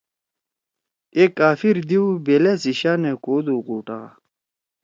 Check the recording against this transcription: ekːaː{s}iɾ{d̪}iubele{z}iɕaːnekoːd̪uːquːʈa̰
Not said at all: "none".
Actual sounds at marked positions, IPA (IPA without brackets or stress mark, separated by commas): f, d̪, s